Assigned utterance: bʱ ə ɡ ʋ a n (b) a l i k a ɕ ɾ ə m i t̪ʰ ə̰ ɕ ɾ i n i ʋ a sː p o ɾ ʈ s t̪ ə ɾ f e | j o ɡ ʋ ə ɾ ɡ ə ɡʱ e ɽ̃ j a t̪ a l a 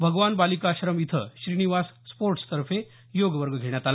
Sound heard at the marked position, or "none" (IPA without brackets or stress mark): b